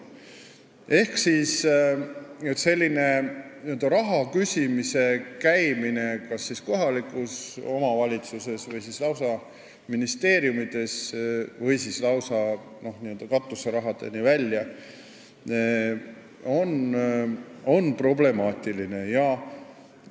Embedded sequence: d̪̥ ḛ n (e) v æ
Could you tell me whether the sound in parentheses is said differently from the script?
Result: yes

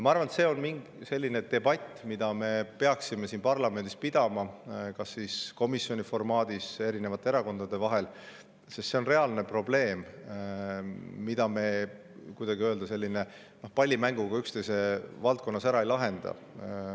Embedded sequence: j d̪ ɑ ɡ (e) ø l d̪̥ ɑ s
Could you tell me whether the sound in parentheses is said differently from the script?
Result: yes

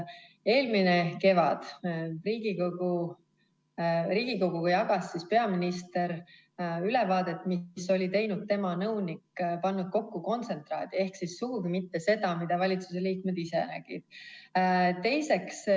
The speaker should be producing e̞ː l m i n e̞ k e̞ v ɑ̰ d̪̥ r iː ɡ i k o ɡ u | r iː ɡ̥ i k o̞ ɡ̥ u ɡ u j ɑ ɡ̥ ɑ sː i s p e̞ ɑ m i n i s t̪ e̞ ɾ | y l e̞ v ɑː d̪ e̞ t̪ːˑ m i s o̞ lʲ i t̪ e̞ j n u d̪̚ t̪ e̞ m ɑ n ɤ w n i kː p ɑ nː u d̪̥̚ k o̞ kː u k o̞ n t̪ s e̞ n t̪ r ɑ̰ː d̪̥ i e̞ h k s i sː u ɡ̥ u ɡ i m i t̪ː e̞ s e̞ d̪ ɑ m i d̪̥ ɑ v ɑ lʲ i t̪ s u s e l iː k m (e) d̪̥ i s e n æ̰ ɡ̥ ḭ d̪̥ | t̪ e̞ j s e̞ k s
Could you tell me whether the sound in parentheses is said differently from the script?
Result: no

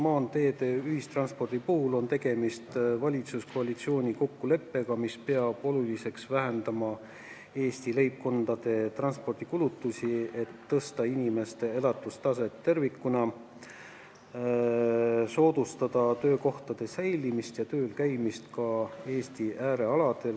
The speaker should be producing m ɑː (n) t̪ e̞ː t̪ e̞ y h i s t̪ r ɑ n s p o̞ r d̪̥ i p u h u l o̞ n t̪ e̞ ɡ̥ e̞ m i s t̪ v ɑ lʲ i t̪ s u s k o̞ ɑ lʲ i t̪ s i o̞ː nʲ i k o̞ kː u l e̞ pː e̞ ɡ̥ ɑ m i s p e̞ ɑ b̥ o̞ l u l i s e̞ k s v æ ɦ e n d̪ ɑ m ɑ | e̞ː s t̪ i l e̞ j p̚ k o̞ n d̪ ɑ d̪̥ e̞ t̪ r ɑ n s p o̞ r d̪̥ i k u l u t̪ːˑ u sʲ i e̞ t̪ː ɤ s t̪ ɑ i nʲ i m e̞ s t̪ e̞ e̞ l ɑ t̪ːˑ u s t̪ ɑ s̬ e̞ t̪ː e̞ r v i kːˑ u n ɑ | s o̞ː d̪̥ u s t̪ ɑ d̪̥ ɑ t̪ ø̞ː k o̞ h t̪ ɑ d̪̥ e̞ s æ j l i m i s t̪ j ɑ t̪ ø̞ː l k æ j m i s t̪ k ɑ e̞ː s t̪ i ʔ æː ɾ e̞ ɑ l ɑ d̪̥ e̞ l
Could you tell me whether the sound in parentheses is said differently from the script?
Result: no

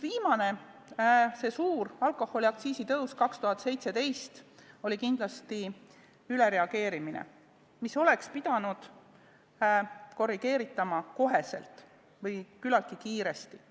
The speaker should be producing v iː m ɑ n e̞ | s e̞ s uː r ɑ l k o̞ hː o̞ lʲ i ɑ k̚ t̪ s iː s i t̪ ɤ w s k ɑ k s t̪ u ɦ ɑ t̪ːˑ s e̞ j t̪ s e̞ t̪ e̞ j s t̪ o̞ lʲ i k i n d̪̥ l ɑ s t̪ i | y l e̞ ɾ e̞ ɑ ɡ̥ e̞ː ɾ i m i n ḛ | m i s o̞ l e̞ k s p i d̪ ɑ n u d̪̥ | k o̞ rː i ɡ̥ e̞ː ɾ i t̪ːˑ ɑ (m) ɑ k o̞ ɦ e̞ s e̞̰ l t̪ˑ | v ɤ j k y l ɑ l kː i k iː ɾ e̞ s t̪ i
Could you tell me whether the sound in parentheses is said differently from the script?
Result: no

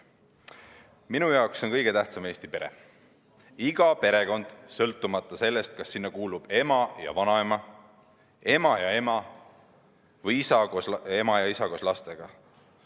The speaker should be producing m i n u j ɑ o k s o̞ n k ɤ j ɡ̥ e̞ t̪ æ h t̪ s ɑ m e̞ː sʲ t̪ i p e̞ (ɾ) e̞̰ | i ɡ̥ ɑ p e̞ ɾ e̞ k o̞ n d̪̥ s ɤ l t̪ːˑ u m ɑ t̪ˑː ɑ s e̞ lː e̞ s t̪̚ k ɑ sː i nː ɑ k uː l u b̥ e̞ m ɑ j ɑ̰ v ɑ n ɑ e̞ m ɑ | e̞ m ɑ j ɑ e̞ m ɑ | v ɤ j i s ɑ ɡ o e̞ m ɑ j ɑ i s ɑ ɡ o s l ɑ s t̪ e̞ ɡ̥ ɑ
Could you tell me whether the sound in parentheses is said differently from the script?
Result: no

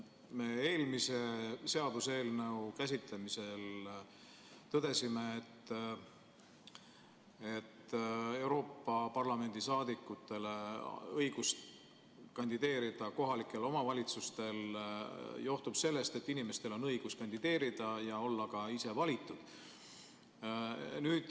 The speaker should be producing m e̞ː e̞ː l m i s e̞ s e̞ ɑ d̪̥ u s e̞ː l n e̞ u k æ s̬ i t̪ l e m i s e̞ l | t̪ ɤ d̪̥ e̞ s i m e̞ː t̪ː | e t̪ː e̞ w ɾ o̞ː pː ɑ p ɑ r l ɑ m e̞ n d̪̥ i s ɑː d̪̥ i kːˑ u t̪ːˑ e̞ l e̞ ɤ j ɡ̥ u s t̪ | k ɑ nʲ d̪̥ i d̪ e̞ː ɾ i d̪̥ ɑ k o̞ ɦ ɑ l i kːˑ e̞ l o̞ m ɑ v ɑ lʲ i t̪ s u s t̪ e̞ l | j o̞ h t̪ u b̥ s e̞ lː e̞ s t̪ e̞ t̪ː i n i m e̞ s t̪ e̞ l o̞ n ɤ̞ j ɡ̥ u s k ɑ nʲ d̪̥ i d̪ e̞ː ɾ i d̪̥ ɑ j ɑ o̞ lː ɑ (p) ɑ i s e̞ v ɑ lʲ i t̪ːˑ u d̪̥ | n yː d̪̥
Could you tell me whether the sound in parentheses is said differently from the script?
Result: yes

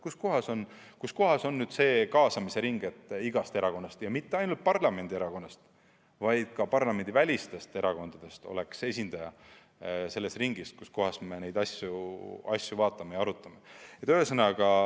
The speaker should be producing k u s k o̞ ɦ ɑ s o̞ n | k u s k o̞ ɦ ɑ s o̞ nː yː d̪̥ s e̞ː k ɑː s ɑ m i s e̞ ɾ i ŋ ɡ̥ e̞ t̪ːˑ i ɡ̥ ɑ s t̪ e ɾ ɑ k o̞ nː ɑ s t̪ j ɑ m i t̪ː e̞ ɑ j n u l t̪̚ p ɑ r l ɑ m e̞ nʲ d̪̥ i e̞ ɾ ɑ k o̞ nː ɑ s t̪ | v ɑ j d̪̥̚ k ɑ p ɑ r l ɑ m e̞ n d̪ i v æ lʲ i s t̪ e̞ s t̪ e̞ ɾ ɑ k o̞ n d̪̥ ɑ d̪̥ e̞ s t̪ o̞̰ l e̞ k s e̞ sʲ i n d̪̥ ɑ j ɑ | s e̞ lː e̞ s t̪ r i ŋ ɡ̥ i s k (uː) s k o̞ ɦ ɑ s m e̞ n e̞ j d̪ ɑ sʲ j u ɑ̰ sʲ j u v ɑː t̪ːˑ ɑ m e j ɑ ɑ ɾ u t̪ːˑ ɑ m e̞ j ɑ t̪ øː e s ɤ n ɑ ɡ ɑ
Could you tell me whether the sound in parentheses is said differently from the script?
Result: yes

